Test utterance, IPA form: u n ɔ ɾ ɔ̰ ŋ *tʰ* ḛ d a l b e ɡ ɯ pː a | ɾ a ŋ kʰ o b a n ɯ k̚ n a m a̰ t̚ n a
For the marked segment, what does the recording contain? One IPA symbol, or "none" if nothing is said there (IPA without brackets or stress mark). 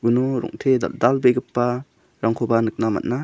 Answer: tʰ